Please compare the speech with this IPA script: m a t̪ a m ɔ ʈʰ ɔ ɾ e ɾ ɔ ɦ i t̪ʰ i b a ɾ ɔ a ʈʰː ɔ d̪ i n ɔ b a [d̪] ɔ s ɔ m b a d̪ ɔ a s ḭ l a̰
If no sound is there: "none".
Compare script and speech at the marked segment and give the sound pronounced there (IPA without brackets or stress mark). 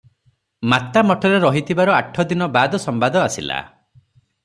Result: d̪